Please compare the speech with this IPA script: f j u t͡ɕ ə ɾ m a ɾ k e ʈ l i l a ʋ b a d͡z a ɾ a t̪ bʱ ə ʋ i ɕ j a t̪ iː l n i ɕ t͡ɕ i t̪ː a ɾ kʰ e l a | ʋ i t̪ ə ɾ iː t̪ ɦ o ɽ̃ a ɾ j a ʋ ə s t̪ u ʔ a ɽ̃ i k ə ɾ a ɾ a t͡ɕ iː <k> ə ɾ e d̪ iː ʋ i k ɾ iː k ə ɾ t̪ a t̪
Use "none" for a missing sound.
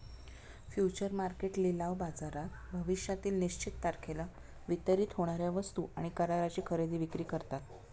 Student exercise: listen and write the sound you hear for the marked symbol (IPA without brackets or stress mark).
kʰ